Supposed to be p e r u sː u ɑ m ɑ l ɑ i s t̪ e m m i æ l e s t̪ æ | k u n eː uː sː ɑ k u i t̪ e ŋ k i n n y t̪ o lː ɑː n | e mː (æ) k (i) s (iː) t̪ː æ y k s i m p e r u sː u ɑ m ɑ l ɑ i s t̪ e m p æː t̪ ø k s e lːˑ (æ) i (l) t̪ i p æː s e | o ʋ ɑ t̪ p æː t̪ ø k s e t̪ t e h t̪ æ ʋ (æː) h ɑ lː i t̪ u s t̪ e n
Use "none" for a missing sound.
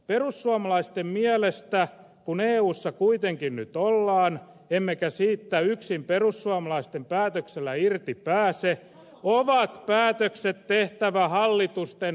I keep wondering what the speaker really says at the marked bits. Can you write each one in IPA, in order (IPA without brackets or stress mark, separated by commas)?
e, æ, iː, æ, r, æ